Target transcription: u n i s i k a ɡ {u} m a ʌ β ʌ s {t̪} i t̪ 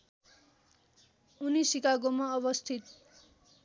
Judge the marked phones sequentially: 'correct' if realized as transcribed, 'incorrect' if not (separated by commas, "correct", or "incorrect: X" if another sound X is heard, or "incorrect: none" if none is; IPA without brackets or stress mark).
incorrect: o, incorrect: t̪ʰ